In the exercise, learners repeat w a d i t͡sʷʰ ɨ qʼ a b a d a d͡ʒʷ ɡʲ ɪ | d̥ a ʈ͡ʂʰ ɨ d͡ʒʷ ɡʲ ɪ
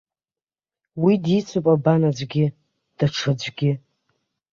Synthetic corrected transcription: w i d i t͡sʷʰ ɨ pʼ a b a n a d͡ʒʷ ɡʲ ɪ | d̥ a ʈ͡ʂʰ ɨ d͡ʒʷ ɡʲ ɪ